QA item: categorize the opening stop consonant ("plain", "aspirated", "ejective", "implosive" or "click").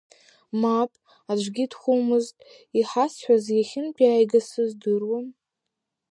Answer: ejective